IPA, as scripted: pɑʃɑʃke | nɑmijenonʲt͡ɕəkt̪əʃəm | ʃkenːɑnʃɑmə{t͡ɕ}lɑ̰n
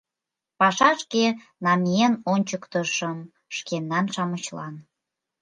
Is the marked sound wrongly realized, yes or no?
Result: no